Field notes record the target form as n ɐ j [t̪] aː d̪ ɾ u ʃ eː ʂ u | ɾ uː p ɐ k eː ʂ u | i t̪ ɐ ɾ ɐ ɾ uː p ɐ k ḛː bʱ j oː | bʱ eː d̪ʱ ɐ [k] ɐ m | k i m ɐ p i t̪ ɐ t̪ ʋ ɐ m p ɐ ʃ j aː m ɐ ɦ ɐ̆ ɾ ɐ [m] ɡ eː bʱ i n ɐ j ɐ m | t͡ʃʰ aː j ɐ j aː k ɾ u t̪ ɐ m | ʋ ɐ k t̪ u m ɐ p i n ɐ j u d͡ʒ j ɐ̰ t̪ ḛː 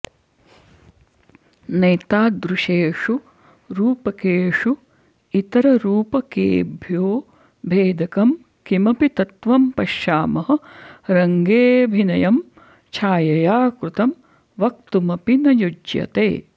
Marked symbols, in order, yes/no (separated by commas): yes, yes, no